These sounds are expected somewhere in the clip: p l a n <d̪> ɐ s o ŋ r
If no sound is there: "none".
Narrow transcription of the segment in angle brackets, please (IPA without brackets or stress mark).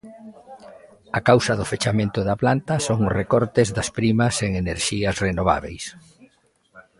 t̪